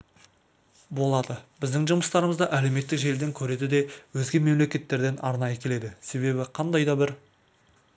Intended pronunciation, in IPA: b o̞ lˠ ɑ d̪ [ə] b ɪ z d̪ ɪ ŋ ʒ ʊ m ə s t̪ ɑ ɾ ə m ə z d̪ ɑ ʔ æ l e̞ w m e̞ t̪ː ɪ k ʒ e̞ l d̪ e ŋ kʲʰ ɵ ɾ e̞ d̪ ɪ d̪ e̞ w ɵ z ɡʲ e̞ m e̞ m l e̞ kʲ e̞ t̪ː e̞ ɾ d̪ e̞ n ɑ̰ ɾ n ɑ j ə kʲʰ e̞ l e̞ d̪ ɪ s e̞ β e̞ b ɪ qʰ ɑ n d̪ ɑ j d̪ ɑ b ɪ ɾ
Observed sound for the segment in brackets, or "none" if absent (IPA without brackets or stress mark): ə